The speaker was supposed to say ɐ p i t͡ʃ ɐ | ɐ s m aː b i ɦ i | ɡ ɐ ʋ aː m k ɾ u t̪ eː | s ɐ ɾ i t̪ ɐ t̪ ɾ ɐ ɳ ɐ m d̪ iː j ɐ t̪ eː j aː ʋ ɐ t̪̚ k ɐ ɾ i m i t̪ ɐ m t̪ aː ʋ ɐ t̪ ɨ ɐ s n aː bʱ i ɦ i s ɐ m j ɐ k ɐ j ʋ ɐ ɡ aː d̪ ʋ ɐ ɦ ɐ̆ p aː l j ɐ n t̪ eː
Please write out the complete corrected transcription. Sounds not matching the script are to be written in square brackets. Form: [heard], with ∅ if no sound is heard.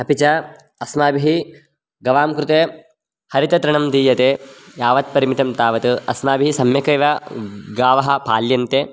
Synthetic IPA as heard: ɐ p i t͡ʃ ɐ | ɐ s m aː b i ɦ i | ɡ ɐ ʋ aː m k ɾ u t̪ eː | [h] ɐ ɾ i t̪ ɐ t̪ ɾ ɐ ɳ ɐ m d̪ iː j ɐ t̪ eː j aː ʋ ɐ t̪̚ [p] ɐ ɾ i m i t̪ ɐ m t̪ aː ʋ ɐ t̪ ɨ ɐ s [m] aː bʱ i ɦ i s ɐ m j ɐ k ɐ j ʋ ɐ ɡ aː [∅] ʋ ɐ ɦ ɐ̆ p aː l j ɐ n t̪ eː